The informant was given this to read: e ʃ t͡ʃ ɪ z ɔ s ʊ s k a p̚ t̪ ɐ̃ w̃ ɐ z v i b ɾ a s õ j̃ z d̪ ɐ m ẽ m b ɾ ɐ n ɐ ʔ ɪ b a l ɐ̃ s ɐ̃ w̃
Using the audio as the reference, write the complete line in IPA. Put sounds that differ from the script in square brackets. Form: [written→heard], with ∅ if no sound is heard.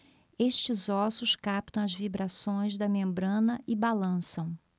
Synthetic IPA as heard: e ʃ t͡ʃ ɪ z ɔ s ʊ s k a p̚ t̪ ɐ̃ w̃ ɐ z v i b ɾ a s õ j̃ z d̪ ɐ m ẽ m b ɾ [ɐ→ɐ̃] n ɐ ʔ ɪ b a l ɐ̃ s ɐ̃ w̃